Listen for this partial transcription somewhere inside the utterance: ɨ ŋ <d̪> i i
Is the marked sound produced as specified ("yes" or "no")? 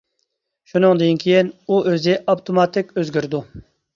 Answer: yes